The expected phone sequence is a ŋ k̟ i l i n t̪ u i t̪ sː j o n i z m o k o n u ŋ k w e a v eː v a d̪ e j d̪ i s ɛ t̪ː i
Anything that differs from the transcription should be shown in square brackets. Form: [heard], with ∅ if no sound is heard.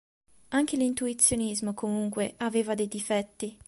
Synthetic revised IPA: a ŋ k̟ [e] l i n t̪ u i t̪ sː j o n i z m o k o [m] u ŋ k w e a v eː v a d̪ e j d̪ i [f] ɛ t̪ː i